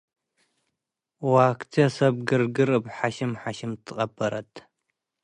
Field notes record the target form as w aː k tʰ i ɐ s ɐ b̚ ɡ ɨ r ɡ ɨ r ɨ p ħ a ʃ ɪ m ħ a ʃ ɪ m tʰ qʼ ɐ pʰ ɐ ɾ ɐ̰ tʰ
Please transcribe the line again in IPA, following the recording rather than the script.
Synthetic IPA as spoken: w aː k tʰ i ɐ s ɐ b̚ ɡ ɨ r ɡ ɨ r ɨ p ħ a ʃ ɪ m ħ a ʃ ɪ m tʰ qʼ ɐ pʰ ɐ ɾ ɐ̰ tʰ